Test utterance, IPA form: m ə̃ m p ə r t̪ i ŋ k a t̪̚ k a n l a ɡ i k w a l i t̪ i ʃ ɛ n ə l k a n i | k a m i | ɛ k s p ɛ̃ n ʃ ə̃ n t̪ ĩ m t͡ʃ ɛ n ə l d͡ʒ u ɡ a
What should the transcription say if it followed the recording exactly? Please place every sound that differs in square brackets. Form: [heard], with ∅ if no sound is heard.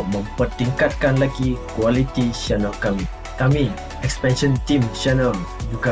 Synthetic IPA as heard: m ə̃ m p ə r t̪ i ŋ k a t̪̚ k a n l a ɡ i k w a l i t̪ i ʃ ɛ n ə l k a [m] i | k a m i | ɛ k s p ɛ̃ n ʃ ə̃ n t̪ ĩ m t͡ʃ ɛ n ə l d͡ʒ u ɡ a